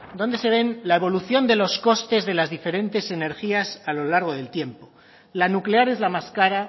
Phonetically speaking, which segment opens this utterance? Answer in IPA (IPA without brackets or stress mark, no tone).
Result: d̪